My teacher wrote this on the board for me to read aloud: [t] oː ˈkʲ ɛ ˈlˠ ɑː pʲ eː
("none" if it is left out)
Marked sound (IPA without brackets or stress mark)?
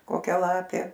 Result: k